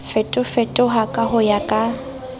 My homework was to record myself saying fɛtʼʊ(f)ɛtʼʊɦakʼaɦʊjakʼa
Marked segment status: correct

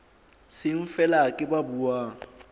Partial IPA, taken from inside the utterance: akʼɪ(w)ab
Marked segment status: incorrect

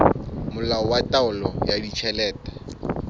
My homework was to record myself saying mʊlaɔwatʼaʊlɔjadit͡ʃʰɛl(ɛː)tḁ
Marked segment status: correct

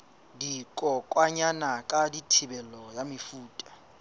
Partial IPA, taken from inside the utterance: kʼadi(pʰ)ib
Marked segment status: incorrect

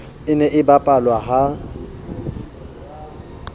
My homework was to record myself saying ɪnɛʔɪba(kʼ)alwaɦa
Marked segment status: incorrect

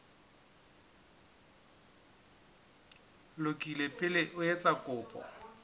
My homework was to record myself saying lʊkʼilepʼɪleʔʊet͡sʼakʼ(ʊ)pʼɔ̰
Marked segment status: incorrect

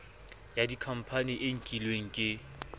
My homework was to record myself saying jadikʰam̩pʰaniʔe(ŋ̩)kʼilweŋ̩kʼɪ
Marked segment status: correct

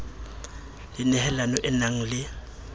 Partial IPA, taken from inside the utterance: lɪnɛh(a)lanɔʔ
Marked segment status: incorrect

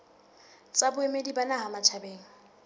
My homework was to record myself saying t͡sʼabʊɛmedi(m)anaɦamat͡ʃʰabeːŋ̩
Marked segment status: incorrect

